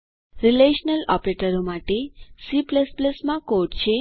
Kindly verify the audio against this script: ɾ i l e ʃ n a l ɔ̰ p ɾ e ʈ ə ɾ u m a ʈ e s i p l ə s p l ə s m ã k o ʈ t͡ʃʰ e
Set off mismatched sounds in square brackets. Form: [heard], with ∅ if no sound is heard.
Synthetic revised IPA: ɾ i l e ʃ n [ə] l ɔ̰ p ɾ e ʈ ə ɾ [o] m a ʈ e s i p l ə s p l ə s m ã k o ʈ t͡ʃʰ e